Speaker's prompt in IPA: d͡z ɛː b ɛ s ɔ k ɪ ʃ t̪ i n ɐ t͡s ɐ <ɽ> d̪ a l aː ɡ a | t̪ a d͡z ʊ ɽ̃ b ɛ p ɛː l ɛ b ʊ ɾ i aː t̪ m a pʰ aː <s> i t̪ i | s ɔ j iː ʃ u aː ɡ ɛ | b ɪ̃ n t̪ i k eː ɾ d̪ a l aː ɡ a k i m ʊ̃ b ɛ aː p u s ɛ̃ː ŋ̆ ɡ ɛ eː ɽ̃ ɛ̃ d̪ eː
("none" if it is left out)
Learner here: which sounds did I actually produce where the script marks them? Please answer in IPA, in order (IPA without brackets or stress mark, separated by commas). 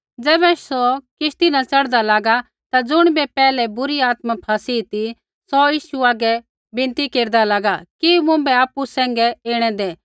ɽ, s